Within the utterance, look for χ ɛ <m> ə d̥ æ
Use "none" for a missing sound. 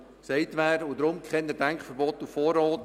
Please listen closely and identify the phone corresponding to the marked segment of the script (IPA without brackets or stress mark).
n